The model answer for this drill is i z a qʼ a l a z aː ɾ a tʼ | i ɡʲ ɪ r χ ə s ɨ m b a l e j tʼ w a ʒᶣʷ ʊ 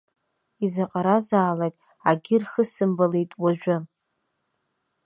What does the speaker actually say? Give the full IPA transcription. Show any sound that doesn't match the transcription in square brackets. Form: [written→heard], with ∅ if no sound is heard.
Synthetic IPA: i z a qʼ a [l→ɾ] a z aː [ɾ→l] a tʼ | [i→a] ɡʲ ɪ r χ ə s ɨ m b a l e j tʼ w a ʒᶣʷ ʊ